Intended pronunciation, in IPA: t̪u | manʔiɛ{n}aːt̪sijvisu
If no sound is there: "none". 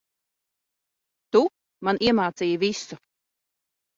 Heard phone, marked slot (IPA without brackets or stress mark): m